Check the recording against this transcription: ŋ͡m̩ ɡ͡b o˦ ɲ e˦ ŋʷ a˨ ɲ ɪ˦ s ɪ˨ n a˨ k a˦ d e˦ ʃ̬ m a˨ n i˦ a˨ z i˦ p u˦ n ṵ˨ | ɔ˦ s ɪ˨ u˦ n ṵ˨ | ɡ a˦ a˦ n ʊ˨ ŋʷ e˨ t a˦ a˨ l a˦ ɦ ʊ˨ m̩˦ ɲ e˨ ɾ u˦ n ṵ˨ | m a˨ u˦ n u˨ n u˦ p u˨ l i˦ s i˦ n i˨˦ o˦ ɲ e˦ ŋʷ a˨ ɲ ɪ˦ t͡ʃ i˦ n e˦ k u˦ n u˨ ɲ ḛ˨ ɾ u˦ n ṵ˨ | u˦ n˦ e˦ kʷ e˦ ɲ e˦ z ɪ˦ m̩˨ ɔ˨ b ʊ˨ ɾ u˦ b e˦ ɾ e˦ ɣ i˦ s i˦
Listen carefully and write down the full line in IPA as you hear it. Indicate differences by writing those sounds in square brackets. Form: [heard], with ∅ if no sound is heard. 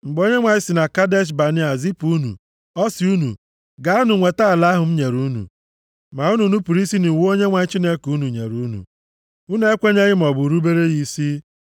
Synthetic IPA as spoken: ŋ͡m̩ ɡ͡b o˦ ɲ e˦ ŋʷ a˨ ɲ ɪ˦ s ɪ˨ n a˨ k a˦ d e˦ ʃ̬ [b] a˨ n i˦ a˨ z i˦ p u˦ n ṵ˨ | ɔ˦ s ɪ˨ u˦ n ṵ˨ | ɡ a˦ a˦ n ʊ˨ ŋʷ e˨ t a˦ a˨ l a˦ ɦ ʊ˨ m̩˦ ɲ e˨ ɾ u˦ n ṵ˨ | m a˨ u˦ n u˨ n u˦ p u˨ [ɾ] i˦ s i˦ n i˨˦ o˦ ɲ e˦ ŋʷ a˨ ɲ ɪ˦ t͡ʃ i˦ n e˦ k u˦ n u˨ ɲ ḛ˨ ɾ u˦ n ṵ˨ | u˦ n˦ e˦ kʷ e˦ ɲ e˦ [ɣ] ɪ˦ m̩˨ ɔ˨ b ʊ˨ ɾ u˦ b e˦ ɾ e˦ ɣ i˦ s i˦